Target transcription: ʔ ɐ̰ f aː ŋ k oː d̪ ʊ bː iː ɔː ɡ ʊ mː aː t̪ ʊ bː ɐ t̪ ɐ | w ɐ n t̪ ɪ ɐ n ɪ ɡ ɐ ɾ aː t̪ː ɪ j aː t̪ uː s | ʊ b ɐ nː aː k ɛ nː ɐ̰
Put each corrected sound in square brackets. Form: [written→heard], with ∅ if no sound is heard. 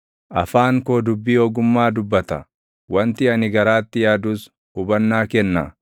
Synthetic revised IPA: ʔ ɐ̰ f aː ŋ k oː d̪ ʊ bː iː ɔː ɡ ʊ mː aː [t̪→d̪] ʊ bː ɐ t̪ ɐ | w ɐ n t̪ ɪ ɐ n ɪ ɡ ɐ ɾ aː t̪ː ɪ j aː [t̪→d̪] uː s | ʊ b ɐ nː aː k ɛ nː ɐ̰